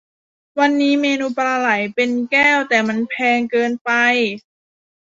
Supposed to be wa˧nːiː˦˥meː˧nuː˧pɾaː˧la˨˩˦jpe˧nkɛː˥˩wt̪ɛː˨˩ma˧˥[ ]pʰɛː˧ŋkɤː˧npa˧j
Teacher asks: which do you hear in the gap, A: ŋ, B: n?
B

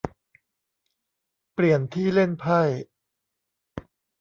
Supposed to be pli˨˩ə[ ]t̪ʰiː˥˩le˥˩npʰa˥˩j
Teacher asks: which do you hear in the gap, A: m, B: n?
B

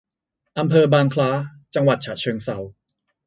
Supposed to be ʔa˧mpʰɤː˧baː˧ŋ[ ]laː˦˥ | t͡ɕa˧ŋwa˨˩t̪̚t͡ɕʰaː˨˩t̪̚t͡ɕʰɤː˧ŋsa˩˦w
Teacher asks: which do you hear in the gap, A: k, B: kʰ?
B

